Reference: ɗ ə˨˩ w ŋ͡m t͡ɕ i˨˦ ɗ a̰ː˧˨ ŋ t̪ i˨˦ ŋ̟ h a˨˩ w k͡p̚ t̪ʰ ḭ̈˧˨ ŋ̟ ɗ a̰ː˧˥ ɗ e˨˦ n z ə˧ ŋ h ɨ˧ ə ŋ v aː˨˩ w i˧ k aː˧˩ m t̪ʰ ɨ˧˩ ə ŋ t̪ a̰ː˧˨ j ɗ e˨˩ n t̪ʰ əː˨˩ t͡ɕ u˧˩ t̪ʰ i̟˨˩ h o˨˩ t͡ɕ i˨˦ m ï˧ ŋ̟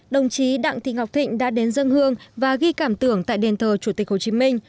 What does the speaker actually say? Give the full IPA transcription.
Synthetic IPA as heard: ɗ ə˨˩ w ŋ͡m t͡ɕ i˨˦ ɗ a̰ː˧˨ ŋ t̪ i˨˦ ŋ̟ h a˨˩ w k͡p̚ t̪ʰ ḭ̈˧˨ ŋ̟ ɗ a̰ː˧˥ ɗ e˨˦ n z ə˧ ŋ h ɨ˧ ə ŋ v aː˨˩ ɣ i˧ k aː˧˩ m t̪ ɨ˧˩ ə ŋ t̪ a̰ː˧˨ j ɗ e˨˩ n t̪ʰ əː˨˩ t͡ɕ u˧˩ t̪ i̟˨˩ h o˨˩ t͡ɕ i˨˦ m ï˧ ŋ̟